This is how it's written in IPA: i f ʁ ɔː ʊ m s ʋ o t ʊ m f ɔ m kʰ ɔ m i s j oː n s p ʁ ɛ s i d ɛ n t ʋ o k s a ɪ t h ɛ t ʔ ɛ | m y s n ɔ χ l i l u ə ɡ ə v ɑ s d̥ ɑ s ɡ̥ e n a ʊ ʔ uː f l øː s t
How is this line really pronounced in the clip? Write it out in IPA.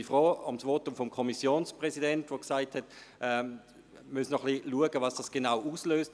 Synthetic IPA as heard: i f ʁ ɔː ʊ m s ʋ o t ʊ m f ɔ m kʰ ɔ m i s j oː n s p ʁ ɛ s i d ɛ n t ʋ o k s a ɪ t h ɛ t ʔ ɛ | m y s n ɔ χ l i l u ə ɡ ə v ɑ s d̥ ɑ s ɡ̥ e n a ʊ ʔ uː s l øː s t